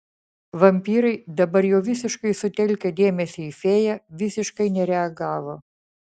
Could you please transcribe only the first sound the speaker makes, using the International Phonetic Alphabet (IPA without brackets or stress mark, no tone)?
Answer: ʋ